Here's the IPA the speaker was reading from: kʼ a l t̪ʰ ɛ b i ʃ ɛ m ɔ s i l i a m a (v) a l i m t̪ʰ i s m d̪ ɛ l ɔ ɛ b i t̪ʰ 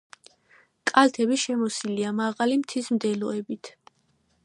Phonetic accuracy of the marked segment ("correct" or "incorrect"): incorrect